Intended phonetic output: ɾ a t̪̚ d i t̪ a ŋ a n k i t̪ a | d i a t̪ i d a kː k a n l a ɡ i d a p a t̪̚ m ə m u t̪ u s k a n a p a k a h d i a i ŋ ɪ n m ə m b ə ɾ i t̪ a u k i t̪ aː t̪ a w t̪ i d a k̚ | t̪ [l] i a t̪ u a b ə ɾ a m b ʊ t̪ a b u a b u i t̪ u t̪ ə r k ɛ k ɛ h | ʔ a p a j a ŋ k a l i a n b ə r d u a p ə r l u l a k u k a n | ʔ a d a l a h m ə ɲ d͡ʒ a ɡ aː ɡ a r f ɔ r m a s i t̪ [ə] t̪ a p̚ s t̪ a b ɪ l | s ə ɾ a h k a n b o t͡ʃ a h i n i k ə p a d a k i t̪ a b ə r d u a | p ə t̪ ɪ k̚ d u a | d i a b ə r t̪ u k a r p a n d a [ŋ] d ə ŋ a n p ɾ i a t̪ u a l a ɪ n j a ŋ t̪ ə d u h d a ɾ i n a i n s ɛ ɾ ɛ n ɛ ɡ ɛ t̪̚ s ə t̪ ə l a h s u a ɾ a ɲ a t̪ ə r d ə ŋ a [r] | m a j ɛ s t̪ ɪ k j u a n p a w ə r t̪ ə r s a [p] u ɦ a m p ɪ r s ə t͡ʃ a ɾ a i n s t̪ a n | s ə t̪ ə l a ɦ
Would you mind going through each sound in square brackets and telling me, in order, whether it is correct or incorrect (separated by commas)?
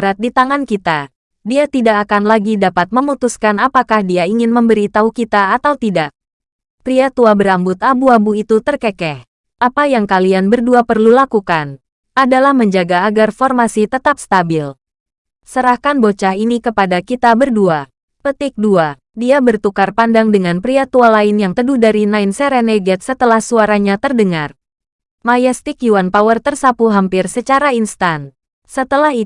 incorrect, correct, correct, correct, correct